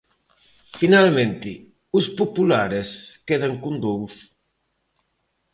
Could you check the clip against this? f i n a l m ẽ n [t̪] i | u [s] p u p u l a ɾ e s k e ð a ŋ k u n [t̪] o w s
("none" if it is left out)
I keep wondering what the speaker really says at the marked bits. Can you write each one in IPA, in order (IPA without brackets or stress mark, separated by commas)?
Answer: t̪, s, d̪